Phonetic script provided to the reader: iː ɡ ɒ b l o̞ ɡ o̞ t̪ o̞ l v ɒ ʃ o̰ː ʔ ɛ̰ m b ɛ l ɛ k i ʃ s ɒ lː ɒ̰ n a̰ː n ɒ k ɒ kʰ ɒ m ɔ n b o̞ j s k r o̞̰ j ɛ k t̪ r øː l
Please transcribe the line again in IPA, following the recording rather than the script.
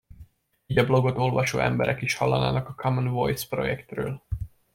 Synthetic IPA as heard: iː ɟ ɒ b l o̞ ɡ o̞ t̪ o̞ l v ɒ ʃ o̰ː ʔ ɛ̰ m b ɛ ɾ ɛ k i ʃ h ɒ lː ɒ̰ n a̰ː n ɒ k ɒ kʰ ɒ m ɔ n v o̞ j s p r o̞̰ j ɛ k t̪ r øː l